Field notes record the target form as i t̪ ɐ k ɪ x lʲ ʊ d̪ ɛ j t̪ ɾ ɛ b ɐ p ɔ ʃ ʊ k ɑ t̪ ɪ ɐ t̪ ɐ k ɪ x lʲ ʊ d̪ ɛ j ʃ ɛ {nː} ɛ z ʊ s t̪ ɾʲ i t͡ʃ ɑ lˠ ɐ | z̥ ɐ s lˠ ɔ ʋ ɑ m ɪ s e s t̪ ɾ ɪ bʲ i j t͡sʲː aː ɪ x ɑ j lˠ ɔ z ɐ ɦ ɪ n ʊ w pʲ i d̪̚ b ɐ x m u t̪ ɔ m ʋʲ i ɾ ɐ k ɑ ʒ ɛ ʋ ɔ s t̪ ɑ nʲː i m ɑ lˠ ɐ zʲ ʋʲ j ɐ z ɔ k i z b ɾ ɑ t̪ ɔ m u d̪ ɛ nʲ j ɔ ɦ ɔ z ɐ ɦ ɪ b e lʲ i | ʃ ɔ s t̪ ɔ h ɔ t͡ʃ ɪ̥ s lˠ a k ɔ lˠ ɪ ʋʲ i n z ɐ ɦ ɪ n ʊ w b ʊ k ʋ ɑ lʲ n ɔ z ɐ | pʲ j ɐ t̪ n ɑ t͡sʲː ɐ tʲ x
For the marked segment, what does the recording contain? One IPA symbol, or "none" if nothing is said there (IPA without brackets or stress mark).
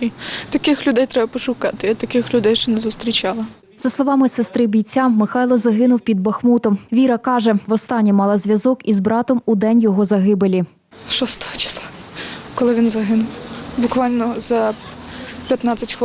n